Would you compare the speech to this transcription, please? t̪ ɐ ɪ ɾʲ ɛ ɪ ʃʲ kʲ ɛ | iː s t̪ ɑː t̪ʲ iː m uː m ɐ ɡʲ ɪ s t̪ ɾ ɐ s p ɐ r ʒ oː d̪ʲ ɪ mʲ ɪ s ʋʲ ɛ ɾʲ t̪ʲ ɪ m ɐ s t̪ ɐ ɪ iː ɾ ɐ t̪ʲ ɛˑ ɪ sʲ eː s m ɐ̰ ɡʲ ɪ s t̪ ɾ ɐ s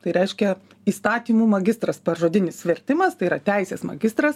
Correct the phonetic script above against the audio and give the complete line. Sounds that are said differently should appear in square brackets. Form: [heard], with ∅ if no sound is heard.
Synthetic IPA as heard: t̪ ɐ ɪ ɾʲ ɛ ɪ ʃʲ kʲ ɛ | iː s t̪ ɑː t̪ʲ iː m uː m ɐ ɡʲ ɪ s t̪ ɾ ɐ s p ɐ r ʒ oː d̪ʲ ɪ [nʲ] ɪ s ʋʲ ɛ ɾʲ t̪ʲ ɪ m ɐ s t̪ ɐ ɪ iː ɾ ɐ t̪ʲ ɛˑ ɪ sʲ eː s m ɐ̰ ɡʲ ɪ s t̪ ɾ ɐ s